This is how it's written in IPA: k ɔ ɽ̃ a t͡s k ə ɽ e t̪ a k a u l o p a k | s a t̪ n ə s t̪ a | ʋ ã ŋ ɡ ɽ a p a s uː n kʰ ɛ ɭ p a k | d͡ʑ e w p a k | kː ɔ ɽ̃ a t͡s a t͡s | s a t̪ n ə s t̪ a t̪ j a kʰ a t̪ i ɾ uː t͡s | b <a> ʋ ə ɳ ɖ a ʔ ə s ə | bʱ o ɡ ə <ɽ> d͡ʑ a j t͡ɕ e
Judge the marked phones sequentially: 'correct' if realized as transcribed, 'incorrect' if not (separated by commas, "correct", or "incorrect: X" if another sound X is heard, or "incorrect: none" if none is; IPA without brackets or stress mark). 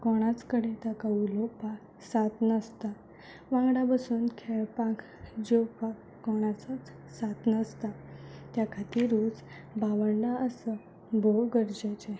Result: correct, incorrect: ɾ